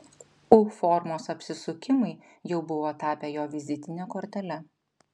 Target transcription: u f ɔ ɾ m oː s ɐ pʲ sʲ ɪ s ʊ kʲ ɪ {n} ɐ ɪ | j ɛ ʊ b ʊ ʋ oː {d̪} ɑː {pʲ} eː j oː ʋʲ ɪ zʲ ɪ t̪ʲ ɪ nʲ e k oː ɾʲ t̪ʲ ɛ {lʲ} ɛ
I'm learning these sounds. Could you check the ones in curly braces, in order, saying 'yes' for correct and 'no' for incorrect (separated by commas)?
no, no, yes, yes